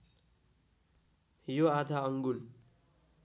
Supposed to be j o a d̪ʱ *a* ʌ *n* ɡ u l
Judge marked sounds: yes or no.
yes, no

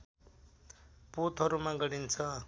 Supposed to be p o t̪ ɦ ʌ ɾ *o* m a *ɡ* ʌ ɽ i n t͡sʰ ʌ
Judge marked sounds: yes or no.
no, yes

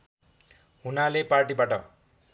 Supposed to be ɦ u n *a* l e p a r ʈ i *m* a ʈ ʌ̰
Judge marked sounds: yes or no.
yes, no

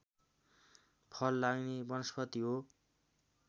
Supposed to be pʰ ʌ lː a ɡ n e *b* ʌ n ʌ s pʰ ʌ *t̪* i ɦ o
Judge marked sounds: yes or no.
yes, yes

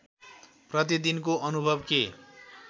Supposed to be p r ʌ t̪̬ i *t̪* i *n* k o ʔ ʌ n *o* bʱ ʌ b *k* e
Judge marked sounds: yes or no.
no, yes, no, yes

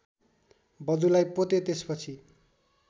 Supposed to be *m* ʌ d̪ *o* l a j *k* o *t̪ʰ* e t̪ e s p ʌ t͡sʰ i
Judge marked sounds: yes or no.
no, no, no, no

